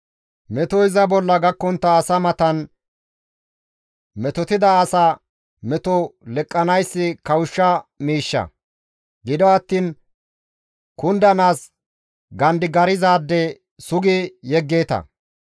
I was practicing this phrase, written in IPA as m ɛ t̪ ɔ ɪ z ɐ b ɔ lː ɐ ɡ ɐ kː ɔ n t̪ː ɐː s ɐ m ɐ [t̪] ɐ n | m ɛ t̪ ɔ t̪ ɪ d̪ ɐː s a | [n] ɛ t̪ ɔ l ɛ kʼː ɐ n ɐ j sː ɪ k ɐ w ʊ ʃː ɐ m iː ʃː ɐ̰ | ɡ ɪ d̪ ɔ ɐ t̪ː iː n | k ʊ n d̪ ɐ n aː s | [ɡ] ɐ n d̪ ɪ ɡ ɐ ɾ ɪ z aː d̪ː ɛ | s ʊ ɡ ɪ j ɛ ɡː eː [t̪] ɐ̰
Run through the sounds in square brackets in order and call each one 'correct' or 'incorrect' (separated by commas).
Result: correct, incorrect, correct, correct